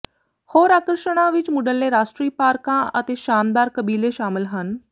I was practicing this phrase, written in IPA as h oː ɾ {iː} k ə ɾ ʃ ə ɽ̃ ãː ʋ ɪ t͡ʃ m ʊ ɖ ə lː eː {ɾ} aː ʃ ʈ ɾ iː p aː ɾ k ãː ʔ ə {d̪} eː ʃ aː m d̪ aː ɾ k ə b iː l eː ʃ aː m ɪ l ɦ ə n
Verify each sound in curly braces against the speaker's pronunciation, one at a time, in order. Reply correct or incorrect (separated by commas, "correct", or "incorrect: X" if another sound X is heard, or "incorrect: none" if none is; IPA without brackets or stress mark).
incorrect: aː, correct, incorrect: t̪